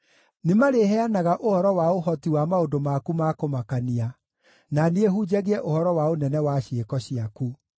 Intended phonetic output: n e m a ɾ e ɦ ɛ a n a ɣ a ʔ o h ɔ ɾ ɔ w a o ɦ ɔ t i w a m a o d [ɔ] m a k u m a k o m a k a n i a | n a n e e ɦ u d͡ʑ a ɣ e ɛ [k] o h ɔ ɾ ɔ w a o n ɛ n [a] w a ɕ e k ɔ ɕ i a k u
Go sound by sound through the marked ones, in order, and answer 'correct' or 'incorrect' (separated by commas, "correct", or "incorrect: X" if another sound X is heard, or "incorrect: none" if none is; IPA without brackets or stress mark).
incorrect: o, incorrect: ʔ, incorrect: ɛ